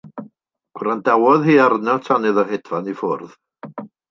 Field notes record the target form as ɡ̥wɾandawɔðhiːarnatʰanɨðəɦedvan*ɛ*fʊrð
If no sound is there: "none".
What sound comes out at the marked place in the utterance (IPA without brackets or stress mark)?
i